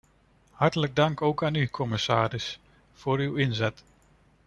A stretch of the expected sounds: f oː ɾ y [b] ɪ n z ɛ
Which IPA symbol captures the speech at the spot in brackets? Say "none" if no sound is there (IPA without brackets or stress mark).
w